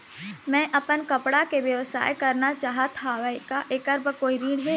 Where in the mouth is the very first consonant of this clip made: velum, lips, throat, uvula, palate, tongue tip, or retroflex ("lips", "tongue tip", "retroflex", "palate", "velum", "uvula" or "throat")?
lips